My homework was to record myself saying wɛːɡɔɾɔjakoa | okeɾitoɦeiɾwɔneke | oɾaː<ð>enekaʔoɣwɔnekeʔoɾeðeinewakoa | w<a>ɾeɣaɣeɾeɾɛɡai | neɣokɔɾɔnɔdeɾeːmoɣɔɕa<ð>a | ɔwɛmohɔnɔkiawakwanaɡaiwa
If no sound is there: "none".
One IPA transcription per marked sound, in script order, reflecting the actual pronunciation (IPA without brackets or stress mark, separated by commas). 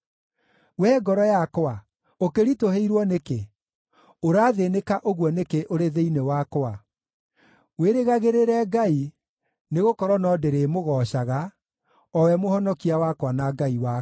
ð, e, ɣ